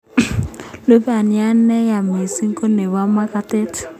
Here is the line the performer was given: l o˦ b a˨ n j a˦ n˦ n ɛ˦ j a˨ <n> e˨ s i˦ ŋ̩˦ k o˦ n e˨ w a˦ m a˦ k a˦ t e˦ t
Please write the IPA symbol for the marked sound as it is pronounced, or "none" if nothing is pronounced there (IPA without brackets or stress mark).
m